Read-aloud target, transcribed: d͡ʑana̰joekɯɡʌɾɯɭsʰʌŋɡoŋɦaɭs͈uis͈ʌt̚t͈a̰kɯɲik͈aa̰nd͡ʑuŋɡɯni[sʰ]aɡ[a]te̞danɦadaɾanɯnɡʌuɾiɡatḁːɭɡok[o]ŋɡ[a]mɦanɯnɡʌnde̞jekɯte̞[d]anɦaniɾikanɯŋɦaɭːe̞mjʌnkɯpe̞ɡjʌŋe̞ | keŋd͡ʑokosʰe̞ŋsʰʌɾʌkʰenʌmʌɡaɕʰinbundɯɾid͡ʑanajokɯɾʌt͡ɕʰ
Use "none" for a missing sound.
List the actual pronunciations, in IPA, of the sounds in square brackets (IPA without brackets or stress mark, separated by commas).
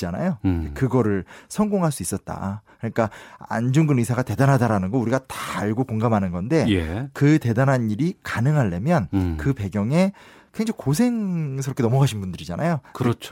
sʰ, a, o, a, d